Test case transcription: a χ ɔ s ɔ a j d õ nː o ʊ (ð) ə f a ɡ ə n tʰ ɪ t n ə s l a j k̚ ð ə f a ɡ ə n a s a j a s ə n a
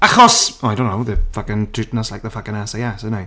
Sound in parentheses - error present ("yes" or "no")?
no